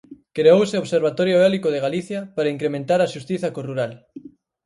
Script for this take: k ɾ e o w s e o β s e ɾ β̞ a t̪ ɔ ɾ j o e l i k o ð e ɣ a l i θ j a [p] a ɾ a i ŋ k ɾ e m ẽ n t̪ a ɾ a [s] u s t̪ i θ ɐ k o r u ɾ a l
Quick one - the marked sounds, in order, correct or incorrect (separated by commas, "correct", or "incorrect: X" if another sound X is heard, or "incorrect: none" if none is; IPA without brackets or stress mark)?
correct, incorrect: ʃ